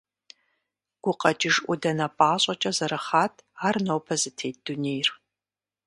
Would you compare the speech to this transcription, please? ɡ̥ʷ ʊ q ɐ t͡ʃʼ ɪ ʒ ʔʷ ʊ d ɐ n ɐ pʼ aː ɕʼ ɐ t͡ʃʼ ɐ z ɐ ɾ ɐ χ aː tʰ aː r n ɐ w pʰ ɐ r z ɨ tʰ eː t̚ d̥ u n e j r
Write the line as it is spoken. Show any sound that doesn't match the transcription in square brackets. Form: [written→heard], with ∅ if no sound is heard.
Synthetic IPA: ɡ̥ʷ ʊ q ɐ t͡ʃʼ ɪ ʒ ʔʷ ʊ d ɐ n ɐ pʼ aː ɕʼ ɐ t͡ʃʼ ɐ z ɐ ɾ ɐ χ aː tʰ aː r n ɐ w pʰ ɐ [r→∅] z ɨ tʰ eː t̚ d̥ u n e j r